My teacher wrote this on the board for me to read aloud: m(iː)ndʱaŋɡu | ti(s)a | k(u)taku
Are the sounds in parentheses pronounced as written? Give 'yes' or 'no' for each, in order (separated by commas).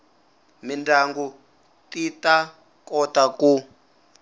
no, no, no